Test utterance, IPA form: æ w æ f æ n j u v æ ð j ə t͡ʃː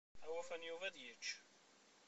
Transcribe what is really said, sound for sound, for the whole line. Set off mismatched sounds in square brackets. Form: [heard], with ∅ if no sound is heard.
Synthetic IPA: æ w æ f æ n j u v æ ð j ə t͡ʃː